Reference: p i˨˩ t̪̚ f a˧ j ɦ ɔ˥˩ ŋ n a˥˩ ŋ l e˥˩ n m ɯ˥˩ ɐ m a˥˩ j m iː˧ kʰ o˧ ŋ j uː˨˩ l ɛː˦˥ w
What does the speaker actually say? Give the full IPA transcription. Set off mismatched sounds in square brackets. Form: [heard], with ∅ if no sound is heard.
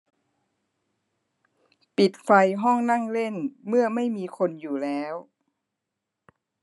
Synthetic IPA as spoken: p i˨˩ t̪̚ f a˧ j ɦ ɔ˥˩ ŋ n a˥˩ ŋ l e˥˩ n m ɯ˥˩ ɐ m a˥˩ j m iː˧ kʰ o˧ [n] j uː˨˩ l ɛː˦˥ w

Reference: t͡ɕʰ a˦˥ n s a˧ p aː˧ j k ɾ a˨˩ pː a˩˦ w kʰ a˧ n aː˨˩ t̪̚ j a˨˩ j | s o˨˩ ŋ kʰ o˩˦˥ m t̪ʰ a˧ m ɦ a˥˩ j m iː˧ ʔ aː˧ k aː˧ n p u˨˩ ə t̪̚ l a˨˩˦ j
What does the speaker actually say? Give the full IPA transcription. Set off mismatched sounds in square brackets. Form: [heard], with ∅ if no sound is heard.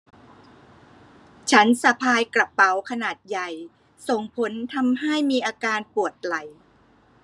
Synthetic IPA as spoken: t͡ɕʰ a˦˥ n s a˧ [pʰ] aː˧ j k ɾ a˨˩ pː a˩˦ w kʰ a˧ n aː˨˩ t̪̚ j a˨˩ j | s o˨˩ ŋ [pʰ] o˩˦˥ [n] t̪ʰ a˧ m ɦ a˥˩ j m iː˧ ʔ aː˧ k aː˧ n p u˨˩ ə t̪̚ l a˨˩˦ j

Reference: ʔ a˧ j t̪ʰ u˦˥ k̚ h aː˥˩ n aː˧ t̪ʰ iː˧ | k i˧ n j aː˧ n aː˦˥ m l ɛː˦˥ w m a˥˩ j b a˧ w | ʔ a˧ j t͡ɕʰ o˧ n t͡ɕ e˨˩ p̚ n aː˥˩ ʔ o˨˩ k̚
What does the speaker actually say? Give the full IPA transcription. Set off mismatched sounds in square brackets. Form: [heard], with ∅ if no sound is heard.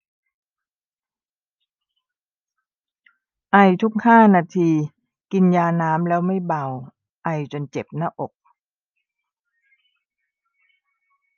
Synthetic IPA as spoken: ʔ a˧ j t̪ʰ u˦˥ k̚ h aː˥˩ n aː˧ t̪ʰ iː˧ | k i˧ n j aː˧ n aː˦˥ m l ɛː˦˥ w m a˥˩ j b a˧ w | ʔ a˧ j [t͡ɕ] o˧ n t͡ɕ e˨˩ p̚ n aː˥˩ ʔ o˨˩ k̚

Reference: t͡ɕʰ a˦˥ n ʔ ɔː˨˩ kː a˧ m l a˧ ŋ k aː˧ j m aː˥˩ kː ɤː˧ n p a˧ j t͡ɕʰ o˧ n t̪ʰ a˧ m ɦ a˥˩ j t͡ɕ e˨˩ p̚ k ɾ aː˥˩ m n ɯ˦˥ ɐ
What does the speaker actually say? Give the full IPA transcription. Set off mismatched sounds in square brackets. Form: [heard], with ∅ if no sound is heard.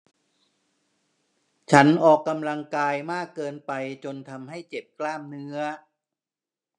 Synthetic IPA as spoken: t͡ɕʰ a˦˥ n ʔ ɔː˨˩ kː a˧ m l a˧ ŋ k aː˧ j m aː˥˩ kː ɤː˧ n p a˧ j [t͡ɕ] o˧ n t̪ʰ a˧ m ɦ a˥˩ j t͡ɕ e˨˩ p̚ k [l] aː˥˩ m n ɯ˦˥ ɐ

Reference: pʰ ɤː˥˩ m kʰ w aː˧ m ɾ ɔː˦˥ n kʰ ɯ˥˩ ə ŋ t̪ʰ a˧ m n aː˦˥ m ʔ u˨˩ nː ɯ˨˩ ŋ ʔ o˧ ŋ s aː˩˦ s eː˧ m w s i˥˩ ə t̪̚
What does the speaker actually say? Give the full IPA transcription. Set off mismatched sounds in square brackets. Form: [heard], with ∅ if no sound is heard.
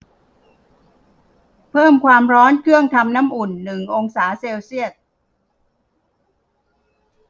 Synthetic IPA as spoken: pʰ ɤː˥˩ m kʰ w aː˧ m ɾ ɔː˦˥ n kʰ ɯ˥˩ ə ŋ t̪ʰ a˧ m n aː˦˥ m ʔ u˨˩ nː ɯ˨˩ ŋ ʔ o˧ ŋ s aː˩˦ s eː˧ [∅] w s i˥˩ ə t̪̚

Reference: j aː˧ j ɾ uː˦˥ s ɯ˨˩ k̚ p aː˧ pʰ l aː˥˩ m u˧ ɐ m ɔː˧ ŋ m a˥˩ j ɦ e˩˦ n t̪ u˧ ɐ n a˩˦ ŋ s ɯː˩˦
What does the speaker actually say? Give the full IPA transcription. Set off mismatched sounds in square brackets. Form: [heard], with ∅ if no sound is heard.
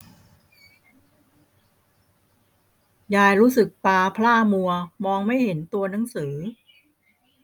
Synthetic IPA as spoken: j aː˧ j ɾ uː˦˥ s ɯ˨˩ k̚ p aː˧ pʰ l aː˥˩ m u˧ ɐ m ɔː˧ ŋ m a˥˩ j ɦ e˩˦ n t̪ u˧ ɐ n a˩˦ ŋ s ɯː˩˦

